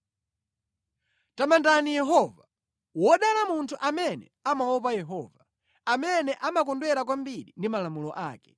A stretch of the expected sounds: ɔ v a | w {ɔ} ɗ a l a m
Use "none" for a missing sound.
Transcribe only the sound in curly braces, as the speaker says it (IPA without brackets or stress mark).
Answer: ɔ